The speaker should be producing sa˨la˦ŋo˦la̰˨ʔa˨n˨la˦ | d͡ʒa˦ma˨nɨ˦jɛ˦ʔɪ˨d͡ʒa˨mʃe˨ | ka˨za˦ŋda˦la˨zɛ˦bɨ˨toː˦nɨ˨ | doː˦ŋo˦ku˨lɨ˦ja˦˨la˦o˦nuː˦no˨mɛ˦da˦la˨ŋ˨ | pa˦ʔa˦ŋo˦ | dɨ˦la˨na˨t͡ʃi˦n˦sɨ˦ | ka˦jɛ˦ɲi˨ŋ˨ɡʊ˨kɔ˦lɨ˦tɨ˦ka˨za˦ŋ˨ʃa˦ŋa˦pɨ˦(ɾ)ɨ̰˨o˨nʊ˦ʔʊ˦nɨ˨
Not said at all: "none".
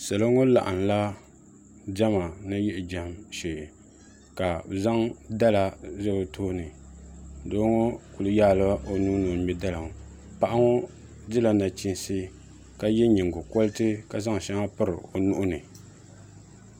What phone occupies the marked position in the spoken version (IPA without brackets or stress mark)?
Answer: ɾ